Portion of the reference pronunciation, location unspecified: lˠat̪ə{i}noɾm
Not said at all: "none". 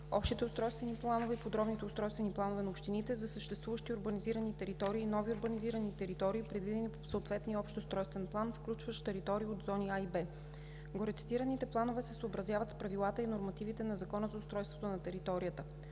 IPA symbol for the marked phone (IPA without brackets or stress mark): i